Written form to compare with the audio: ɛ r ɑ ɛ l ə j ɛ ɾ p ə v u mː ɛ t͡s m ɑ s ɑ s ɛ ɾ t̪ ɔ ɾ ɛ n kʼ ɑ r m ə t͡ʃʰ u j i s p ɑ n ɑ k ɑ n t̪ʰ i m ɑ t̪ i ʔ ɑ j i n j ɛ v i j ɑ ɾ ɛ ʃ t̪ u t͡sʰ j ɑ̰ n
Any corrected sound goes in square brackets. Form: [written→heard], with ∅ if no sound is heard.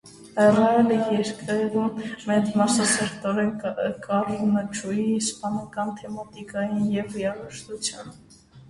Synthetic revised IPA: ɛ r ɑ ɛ l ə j ɛ ɾ [p→k] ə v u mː ɛ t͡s m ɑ s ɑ s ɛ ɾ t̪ ɔ ɾ ɛ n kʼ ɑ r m ə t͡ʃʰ u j i s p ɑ n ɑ k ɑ n t̪ʰ [i→ɛ] m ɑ t̪ i [ʔ→k] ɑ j i n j ɛ v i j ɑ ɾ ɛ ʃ t̪ u t͡sʰ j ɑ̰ n